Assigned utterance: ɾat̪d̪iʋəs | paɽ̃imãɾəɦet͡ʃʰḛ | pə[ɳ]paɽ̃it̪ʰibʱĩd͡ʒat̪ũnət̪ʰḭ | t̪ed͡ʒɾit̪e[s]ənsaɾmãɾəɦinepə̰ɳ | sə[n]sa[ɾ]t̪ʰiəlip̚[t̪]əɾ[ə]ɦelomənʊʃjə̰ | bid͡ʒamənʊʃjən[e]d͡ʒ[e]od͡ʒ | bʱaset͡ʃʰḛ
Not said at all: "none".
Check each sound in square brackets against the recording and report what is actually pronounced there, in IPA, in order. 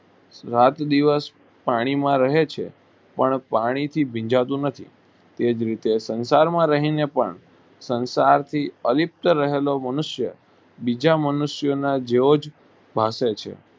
ɳ, s, n, ɾ, t̪, ə, a, e

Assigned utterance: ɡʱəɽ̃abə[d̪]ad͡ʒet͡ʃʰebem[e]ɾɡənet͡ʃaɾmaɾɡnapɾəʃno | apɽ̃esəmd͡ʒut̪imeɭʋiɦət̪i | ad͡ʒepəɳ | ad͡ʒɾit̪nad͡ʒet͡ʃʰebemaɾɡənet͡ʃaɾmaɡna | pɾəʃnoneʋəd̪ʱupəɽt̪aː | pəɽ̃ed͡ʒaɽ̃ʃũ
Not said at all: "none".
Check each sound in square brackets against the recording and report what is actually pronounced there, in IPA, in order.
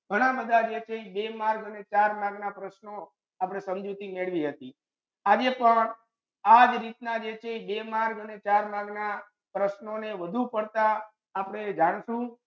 d̪, a

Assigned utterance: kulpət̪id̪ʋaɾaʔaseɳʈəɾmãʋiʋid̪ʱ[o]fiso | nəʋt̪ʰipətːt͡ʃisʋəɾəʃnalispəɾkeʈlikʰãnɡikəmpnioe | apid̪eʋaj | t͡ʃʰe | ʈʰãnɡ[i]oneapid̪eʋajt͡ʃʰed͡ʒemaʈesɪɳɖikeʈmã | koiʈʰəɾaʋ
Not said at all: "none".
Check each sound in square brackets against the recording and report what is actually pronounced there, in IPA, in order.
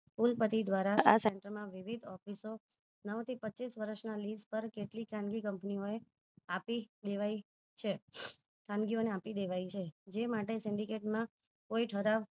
ɔ, i

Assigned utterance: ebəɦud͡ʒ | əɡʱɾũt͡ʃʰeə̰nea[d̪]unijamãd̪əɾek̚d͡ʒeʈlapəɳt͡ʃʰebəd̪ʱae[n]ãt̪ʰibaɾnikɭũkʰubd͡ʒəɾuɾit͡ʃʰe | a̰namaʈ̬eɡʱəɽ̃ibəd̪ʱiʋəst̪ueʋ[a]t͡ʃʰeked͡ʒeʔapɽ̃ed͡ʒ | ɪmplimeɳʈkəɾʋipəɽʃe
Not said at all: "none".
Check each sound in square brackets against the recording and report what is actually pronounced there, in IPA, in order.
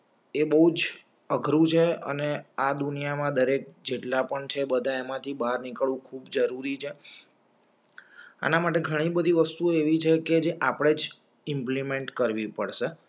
d̪, m, i

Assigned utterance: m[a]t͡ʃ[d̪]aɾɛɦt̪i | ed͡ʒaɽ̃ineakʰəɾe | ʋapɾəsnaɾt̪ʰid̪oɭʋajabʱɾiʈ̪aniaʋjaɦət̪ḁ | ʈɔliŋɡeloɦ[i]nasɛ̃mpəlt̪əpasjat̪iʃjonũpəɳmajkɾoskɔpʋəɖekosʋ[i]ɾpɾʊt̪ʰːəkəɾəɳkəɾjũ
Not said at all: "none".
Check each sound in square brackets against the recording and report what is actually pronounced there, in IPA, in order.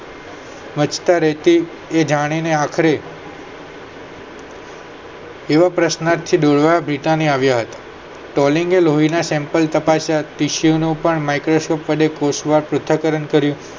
ə, t̪, i, a

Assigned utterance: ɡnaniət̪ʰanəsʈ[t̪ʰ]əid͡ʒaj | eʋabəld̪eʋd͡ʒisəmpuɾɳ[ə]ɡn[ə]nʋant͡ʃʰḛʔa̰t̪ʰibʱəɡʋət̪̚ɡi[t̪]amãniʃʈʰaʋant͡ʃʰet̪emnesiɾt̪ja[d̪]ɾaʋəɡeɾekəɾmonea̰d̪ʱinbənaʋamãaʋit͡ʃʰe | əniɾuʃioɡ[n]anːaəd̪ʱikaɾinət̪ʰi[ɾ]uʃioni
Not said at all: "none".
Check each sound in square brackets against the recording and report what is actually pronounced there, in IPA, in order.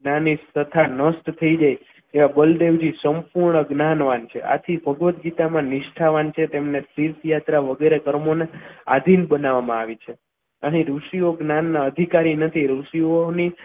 t̪ʰ, ə, a, t̪, t̪, n, ɾ

